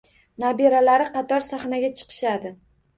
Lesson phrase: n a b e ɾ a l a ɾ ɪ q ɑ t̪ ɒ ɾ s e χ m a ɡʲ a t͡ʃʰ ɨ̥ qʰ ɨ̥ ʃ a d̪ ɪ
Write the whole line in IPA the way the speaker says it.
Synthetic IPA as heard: n a b e ɾ a l a ɾ ɪ q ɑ t̪ ɒ ɾ s a χ n a ɡʲ a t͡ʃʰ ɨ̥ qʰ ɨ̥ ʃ a d̪ ɪ